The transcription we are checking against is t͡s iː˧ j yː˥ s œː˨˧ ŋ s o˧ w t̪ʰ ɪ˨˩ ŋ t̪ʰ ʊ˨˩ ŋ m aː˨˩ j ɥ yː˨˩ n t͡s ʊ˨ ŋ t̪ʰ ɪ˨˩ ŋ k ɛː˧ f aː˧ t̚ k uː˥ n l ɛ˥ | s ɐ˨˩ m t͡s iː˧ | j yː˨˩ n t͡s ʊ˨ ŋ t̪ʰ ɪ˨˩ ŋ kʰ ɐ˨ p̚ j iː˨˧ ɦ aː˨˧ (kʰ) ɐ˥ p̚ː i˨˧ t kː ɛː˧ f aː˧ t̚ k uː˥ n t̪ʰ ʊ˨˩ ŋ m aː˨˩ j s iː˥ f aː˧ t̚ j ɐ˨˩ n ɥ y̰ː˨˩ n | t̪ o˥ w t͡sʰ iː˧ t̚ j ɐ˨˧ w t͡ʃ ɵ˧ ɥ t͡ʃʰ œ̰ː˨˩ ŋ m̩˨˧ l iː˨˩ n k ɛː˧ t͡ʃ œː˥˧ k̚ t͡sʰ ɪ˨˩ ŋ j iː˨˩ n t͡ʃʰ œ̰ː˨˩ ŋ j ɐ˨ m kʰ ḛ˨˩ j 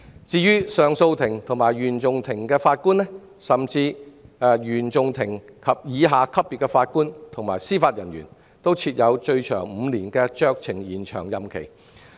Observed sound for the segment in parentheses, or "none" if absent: kʰ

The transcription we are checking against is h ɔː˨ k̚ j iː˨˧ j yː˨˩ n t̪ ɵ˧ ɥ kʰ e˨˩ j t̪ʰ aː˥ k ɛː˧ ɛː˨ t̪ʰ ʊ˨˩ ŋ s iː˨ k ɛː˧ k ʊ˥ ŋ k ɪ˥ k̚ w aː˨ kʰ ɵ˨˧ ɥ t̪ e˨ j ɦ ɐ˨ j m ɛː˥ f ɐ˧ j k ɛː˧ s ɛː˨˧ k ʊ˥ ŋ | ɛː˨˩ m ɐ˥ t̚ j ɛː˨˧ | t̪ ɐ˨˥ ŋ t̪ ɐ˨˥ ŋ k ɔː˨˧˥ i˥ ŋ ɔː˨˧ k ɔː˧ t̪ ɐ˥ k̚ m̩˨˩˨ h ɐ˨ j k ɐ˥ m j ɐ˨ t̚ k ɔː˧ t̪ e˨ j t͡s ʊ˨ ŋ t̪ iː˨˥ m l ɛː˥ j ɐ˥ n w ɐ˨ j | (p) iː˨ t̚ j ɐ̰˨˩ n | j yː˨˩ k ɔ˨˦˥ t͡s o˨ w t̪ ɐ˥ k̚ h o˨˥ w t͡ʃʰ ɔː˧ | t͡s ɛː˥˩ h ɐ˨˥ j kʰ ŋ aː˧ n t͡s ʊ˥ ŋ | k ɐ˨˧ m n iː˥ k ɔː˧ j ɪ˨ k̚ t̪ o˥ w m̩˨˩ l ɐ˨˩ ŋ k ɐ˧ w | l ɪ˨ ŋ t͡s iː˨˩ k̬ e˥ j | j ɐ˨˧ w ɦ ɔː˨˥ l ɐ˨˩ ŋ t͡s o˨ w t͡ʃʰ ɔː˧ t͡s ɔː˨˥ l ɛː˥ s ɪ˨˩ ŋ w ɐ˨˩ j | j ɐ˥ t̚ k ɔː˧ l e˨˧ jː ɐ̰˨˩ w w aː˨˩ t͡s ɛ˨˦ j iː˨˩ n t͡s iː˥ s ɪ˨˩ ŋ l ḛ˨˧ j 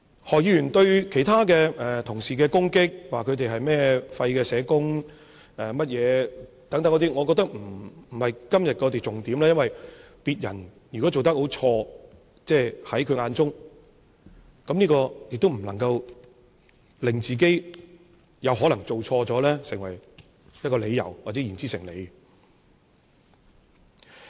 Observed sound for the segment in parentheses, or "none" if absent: p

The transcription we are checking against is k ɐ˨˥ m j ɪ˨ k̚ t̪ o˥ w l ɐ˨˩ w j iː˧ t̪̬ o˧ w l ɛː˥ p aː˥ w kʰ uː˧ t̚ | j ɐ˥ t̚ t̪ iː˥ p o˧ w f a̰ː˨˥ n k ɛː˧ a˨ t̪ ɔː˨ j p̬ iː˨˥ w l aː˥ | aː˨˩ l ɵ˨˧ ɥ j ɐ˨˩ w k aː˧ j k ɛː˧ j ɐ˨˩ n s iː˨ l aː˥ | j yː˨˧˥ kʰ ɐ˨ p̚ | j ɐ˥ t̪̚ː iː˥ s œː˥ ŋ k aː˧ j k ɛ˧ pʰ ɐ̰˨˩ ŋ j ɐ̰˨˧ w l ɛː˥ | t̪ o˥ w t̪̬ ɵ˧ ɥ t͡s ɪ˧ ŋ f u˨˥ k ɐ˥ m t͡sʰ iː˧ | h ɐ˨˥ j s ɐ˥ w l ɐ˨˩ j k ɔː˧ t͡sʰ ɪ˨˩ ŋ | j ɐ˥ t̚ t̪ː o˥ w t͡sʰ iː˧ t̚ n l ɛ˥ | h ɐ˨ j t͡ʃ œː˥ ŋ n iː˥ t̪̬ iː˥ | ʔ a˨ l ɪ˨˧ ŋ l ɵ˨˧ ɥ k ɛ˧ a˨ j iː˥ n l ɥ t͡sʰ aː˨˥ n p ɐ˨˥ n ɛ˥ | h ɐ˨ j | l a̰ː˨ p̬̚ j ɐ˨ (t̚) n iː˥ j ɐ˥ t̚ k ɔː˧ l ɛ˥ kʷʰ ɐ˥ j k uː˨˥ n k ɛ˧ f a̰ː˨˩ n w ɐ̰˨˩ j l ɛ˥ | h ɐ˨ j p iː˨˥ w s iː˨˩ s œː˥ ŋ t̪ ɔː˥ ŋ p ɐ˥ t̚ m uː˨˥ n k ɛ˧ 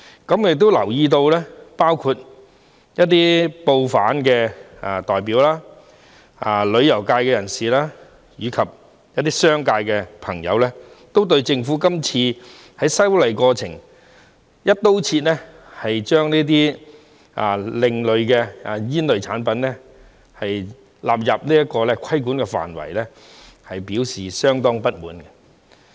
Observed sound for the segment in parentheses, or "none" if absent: p̚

